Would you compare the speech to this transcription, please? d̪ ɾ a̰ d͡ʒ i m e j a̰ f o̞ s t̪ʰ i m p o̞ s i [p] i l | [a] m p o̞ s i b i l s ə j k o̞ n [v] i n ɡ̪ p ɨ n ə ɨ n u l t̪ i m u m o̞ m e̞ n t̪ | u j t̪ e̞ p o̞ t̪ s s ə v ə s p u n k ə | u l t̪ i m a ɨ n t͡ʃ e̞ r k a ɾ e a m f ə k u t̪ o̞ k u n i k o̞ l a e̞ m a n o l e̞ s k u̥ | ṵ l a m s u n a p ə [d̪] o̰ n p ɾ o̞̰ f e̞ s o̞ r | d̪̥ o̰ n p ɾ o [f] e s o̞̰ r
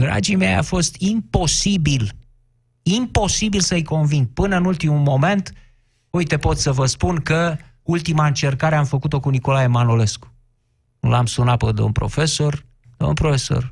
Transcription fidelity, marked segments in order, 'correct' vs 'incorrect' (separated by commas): incorrect, incorrect, correct, correct, correct